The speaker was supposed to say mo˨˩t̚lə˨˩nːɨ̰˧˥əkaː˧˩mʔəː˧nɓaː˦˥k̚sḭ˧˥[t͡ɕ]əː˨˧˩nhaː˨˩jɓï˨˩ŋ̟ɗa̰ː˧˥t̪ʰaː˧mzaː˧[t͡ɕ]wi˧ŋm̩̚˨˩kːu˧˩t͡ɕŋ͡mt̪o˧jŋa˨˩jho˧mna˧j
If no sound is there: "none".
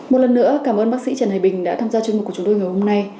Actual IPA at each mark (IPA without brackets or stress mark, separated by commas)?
t͡ɕ, t͡ɕ